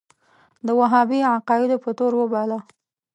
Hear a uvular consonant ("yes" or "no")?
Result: yes